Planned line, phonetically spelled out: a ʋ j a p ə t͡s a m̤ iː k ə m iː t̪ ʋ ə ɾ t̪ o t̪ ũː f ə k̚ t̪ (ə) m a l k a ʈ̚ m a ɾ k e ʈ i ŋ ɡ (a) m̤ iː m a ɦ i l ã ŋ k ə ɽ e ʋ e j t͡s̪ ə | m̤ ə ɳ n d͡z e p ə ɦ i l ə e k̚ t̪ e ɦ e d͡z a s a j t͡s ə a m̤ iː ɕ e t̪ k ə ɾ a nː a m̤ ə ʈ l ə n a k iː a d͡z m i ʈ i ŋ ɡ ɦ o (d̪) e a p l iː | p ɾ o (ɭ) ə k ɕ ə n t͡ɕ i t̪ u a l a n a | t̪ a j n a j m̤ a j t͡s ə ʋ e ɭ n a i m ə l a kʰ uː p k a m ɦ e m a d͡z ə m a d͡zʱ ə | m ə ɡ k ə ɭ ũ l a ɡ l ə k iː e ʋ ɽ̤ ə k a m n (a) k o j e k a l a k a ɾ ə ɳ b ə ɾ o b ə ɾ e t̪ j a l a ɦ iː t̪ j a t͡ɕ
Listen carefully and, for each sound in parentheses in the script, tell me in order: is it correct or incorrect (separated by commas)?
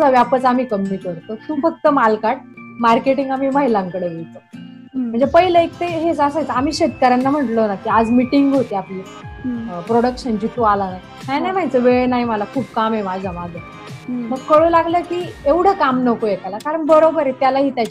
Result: correct, correct, incorrect, incorrect, incorrect